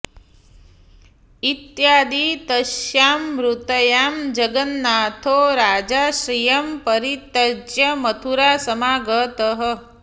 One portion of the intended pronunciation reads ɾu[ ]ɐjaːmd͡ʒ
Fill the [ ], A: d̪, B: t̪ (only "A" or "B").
B